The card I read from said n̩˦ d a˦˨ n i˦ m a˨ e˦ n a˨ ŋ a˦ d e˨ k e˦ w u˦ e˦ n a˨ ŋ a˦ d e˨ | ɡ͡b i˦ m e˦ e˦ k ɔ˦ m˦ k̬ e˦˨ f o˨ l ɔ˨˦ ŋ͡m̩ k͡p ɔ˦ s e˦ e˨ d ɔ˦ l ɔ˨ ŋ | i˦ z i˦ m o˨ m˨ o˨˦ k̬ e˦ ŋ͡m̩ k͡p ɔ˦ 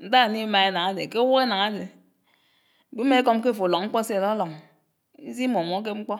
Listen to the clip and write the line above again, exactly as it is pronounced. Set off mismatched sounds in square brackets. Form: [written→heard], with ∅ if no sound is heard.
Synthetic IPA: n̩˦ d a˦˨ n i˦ m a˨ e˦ n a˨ ŋ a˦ d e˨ k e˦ w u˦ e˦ n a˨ ŋ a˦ d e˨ | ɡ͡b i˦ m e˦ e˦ k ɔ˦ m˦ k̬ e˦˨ f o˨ l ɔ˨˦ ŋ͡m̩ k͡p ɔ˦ s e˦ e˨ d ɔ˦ l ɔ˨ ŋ | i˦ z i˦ m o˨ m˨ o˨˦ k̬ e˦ ŋ͡m̩ k͡p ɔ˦